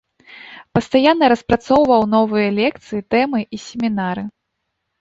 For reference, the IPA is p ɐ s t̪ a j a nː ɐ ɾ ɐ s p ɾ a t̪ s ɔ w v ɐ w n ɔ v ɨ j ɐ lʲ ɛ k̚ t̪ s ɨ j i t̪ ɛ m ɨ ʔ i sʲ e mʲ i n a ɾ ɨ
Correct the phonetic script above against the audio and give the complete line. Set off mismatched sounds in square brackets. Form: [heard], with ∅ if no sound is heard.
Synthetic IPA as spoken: p ɐ s t̪ a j a nː ɐ ɾ ɐ s p ɾ a t̪ s ɔ w v ɐ w n ɔ v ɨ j ɐ lʲ ɛ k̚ t̪ s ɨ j i t̪ ɛ m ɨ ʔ i sʲ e mʲ i n a ɾ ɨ